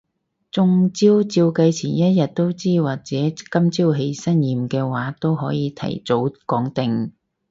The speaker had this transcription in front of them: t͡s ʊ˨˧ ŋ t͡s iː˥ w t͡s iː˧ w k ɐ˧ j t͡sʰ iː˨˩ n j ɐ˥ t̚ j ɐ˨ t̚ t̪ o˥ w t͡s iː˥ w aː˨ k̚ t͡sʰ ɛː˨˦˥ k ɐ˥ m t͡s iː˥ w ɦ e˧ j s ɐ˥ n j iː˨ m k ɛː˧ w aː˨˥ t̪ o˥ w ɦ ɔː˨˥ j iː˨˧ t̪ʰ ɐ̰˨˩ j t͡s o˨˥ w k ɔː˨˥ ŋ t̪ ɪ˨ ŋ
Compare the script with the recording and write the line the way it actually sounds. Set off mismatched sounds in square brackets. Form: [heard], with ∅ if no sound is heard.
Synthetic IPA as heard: t͡s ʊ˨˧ ŋ t͡s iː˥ w t͡s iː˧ w k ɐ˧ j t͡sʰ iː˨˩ n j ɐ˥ t̚ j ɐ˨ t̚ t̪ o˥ w t͡s iː˥ w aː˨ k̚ [t͡s] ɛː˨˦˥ k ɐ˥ m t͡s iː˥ w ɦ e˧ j s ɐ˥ n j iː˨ m k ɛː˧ w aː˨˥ t̪ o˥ w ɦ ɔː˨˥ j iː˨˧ t̪ʰ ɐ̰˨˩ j t͡s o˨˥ w k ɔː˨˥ ŋ t̪ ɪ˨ ŋ